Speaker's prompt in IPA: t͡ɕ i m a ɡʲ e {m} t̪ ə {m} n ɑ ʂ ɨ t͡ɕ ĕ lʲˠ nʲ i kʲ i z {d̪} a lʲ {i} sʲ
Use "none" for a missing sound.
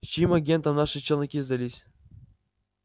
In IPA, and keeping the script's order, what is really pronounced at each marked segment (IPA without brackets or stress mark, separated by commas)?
n, m, d̪, i